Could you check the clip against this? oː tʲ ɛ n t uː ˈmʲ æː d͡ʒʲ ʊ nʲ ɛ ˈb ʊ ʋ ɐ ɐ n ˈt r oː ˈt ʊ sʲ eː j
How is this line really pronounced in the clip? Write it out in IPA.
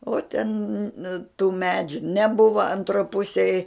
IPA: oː tʲ ɛ n t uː ˈmʲ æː d͡ʒʲ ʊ nʲ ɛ ˈb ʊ ʋ ɐ ɐ n ˈt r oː ˈp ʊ sʲ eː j

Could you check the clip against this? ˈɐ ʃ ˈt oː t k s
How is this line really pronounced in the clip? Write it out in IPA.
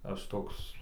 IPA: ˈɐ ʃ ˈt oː k s

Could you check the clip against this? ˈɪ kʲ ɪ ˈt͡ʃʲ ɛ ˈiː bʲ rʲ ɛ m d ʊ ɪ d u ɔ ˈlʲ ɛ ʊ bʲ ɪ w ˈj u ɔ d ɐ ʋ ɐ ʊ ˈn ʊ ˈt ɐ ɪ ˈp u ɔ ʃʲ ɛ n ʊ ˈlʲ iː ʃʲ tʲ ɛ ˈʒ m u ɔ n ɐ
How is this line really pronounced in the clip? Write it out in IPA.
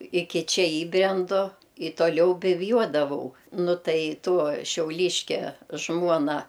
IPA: ˈɪ kʲ ɪ ˈt͡ʃʲ ɛ ˈiː bʲ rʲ ɛ n d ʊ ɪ t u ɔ ˈlʲ ɛ ʊ bʲ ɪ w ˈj u ɔ d ɐ ʋ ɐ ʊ ˈn ʊ ˈt ɐ ɪ ˈt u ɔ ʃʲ ɛ ʊ ˈlʲ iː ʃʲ kʲ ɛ ˈʒ m u ɔ n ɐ

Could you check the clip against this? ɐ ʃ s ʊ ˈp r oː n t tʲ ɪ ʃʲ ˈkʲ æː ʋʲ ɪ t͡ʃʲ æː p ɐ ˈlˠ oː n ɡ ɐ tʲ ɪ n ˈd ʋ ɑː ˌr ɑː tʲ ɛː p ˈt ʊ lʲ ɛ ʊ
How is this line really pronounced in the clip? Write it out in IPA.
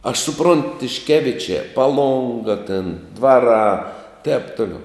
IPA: ɐ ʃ s ʊ ˈp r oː n t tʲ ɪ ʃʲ ˈkʲ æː ʋʲ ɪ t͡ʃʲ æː p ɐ ˈlˠ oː ŋ ɡ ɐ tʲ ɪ n ˈd ʋ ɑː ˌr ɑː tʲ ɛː p ˈt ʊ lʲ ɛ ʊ

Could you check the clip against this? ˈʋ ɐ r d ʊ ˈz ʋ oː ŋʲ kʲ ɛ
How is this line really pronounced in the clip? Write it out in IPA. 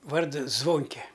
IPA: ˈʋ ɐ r d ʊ ˈz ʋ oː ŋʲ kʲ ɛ

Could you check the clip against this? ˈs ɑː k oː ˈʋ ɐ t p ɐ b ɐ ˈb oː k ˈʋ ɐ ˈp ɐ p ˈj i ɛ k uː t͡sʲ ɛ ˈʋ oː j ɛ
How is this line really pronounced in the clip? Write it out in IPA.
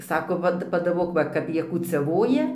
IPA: ˈs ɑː k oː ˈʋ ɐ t p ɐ d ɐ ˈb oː k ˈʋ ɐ ˈk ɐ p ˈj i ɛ k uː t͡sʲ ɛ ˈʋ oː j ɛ

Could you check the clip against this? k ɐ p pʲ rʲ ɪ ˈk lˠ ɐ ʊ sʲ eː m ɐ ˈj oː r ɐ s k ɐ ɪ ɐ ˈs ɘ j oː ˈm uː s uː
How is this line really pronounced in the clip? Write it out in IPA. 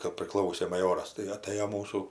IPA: k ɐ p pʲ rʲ ɪ ˈk lˠ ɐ ʊ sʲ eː m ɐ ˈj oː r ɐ s t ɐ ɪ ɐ ˈt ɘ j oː ˈm uː s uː

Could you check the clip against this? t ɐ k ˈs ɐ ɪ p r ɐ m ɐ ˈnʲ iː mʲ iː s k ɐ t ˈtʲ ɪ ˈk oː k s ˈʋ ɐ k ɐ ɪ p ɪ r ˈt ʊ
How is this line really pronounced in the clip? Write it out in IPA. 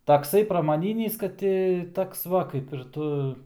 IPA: t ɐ k ˈs ɐ ɪ p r ɐ m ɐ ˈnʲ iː nʲ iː s k ɐ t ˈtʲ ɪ ˈt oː k s ˈʋ ɐ k ɐ ɪ p ɪ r ˈt ʊ

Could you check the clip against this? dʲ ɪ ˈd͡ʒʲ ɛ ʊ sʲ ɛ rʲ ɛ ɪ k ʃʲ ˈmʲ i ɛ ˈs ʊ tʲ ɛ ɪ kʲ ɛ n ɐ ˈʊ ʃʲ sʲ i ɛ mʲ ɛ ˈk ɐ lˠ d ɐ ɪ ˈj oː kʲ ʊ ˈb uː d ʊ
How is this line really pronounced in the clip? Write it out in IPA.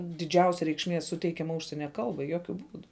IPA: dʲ ɪ ˈd͡ʒʲ ɛ ʊ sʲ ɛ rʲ ɛ ɪ k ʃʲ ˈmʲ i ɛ ˈs ʊ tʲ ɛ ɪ kʲ ɛ m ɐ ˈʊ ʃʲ sʲ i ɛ nʲ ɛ ˈk ɐ lˠ b ɐ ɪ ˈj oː kʲ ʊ ˈb uː d ʊ

